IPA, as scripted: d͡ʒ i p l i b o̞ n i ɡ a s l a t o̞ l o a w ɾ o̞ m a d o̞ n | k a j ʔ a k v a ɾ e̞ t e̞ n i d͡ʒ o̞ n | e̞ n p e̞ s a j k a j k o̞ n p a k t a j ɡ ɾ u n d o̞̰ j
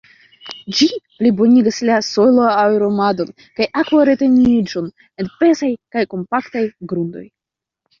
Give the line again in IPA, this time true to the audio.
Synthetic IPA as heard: d͡ʒ i p l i b o̞ n i ɡ a s l a s o̞ l o a w ɾ o̞ m a d o̞ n | k a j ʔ a k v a ɾ e̞ t e̞ n i d͡ʒ o̞ n | e̞ n p e̞ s a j k a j k o̞ m p a k t a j ɡ ɾ u n d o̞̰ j